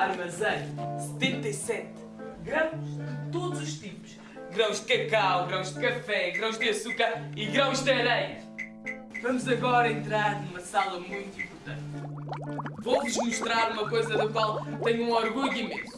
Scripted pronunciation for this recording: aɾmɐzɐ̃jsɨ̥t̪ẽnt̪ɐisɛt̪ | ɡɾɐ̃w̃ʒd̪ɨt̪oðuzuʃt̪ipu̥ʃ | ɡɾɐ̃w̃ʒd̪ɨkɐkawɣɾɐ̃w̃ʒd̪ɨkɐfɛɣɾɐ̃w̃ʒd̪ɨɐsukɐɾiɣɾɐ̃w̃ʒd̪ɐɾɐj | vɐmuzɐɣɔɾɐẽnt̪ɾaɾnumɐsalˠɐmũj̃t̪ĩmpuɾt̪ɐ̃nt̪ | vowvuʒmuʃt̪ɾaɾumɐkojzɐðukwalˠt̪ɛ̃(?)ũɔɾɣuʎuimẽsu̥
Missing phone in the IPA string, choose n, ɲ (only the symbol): ɲ